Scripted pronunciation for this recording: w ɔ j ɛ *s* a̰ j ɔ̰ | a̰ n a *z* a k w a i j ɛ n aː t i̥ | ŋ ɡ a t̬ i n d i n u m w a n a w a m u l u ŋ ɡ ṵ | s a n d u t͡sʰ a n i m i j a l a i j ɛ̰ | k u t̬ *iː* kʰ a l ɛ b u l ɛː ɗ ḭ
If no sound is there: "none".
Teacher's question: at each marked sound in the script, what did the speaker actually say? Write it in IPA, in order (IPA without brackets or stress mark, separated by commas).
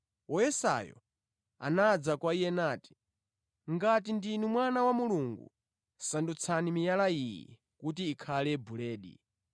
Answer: s, d͡z, iː